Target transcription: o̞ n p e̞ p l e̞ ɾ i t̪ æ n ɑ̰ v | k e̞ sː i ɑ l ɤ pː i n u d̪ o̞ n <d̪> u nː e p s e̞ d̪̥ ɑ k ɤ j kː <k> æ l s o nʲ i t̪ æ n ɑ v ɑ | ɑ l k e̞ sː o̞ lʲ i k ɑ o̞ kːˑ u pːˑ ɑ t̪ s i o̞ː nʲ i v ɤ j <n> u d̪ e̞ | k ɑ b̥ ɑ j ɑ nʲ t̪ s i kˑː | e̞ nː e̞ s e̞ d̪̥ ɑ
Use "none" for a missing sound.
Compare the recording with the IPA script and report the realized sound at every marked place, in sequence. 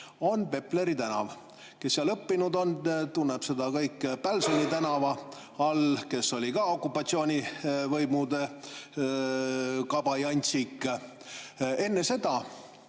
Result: t̪, p, m

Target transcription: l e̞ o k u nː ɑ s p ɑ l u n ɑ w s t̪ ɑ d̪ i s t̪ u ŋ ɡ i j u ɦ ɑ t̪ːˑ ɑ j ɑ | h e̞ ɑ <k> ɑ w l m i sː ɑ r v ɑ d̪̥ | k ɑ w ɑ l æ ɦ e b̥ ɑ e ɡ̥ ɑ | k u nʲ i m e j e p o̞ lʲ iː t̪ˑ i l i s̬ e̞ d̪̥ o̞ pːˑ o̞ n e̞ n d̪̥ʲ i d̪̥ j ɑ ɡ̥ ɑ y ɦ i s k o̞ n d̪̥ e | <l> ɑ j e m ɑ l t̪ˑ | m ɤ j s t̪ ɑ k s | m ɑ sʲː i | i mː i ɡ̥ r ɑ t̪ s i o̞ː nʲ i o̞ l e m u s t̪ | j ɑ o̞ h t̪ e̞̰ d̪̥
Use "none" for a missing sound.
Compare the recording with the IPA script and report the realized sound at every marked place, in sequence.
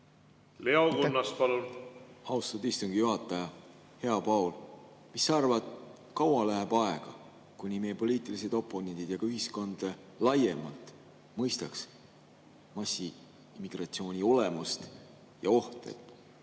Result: p, l

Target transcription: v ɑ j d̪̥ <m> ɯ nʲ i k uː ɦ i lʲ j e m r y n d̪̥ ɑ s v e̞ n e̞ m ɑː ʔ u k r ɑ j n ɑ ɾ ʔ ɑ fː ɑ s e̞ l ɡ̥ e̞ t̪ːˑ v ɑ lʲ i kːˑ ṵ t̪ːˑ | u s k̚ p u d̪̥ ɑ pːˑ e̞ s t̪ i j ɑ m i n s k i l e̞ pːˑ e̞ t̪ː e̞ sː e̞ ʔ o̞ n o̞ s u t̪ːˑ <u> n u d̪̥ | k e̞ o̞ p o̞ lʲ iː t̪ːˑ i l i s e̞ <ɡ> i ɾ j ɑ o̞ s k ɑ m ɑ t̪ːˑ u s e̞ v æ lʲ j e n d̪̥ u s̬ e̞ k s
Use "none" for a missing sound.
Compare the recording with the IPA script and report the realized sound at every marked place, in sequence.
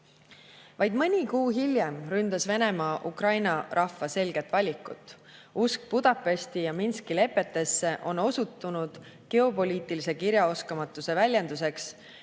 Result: m, u, k

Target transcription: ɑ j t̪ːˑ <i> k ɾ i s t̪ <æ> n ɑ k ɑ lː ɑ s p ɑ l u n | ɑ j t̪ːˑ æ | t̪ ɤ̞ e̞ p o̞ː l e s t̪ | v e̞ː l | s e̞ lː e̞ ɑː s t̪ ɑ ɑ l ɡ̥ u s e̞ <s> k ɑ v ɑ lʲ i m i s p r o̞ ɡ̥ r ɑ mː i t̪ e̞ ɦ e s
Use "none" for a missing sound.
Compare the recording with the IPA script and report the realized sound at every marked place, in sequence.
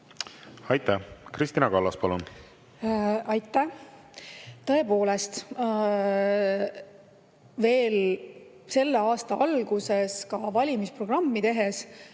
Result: æ, i, s

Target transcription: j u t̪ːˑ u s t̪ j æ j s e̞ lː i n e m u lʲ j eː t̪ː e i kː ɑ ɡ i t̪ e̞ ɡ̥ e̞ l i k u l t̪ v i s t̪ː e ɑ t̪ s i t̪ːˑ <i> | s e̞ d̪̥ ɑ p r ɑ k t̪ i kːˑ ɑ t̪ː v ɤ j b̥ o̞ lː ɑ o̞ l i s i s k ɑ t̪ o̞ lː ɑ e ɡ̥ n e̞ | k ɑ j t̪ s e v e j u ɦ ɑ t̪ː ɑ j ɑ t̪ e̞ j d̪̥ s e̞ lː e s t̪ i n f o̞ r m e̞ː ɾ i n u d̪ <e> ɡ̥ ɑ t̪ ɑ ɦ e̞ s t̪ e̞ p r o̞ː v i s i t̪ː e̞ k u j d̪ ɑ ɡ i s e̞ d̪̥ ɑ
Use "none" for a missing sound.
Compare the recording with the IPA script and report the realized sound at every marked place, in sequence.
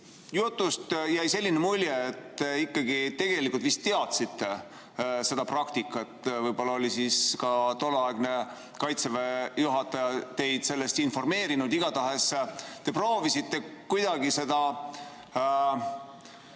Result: e, i

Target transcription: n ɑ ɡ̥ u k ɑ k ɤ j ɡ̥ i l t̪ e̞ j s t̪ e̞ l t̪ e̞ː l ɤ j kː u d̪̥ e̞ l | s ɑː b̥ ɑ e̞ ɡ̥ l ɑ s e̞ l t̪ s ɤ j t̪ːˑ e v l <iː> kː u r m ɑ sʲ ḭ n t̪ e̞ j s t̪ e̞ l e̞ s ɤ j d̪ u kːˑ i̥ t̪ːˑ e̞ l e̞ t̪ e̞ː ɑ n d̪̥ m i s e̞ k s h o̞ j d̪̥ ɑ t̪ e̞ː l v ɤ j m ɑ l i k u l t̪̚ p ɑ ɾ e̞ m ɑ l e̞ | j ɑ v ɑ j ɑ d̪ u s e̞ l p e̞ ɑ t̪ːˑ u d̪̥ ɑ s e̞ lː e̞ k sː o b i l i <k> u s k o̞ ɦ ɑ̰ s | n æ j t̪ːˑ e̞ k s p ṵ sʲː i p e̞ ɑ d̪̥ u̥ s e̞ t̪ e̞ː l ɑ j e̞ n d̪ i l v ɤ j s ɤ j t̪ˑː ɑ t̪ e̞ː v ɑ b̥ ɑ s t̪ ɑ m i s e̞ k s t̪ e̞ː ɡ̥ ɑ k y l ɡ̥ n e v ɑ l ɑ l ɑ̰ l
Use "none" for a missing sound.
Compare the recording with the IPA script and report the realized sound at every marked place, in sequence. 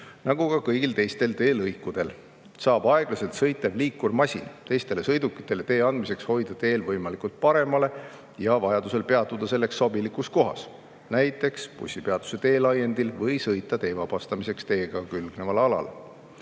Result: iː, k

